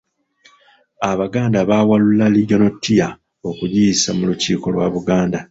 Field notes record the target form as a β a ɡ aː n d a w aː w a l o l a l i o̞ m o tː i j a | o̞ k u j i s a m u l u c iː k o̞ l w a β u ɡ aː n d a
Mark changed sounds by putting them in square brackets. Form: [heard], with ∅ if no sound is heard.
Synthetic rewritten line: a β a ɡ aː n d a [β] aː w a l [u] l a l i o̞ [n] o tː i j a | o̞ k u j i s a m u l u c iː k o̞ l w a β u ɡ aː n d a